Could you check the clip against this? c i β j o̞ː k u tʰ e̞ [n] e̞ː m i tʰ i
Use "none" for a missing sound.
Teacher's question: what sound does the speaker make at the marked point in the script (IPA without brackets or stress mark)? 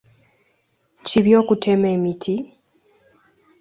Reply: m